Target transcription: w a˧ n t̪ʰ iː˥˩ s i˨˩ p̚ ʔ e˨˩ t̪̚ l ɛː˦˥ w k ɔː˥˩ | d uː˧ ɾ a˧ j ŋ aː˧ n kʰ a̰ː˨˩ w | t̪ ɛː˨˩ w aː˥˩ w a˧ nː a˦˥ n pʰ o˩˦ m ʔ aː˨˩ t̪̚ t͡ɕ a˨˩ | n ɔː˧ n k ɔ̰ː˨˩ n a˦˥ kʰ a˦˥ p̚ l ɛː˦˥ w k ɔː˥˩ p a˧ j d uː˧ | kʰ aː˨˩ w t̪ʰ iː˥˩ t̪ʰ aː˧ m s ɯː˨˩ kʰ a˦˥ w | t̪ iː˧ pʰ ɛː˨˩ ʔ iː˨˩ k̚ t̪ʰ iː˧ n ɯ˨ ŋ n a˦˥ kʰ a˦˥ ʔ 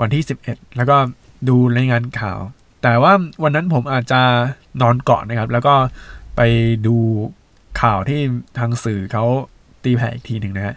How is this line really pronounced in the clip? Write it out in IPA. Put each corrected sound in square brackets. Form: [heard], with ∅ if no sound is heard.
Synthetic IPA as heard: w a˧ n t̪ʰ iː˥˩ s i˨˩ p̚ ʔ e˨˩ t̪̚ l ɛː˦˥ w k ɔː˥˩ | d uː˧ ɾ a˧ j ŋ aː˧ n kʰ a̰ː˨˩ w | t̪ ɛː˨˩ w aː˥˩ w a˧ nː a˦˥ n pʰ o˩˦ m ʔ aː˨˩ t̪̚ t͡ɕ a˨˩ | n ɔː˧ n k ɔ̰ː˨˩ n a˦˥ kʰ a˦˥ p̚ l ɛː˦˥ w k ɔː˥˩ p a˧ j d uː˧ | kʰ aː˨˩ w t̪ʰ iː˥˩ t̪ʰ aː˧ [ŋ] s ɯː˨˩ kʰ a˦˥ w | t̪ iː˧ pʰ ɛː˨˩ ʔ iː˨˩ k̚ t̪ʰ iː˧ n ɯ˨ ŋ n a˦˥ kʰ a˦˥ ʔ